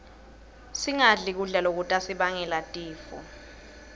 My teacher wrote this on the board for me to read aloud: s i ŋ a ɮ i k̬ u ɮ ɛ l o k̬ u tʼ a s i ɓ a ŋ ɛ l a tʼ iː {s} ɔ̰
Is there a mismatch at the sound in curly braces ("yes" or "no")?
yes